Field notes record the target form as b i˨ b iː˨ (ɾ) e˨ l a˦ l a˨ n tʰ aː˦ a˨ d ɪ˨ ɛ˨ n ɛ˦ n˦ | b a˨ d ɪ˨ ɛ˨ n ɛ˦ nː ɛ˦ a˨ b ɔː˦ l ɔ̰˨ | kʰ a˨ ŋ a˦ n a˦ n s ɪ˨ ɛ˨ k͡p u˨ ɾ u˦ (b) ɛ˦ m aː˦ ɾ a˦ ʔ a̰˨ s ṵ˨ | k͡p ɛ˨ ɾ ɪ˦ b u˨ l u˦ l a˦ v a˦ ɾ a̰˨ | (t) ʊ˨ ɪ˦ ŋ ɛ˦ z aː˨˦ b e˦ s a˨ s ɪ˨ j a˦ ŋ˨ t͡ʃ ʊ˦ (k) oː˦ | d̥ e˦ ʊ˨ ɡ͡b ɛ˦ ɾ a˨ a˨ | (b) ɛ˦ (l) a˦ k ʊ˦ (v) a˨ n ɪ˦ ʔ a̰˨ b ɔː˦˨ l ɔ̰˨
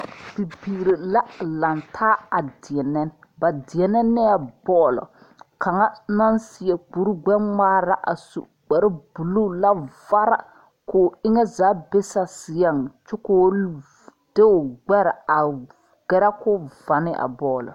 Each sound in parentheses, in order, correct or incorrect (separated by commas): correct, incorrect, incorrect, correct, incorrect, incorrect, correct